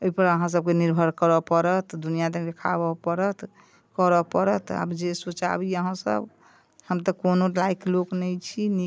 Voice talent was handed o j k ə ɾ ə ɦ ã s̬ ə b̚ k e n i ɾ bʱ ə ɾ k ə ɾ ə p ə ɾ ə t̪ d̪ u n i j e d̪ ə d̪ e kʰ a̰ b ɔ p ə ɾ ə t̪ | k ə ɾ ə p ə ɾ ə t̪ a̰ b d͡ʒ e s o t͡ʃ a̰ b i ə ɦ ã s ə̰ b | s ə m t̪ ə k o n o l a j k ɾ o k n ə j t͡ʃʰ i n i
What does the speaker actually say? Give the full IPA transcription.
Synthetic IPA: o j p ə ɾ ə ɦ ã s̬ ə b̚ k e n i ɾ bʱ ə ɾ k ə ɾ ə p ə ɾ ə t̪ d̪ u n i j a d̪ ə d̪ e kʰ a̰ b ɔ p ə ɾ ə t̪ | k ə ɾ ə p ə ɾ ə t̪ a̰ b d͡ʒ e s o t͡ʃ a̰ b i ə ɦ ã s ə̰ b | h ə m t̪ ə k o n o l a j k l o k n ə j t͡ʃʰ i n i